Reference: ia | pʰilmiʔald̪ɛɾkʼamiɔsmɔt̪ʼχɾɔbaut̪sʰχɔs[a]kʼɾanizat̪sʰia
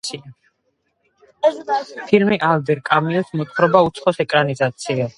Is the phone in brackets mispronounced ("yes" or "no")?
yes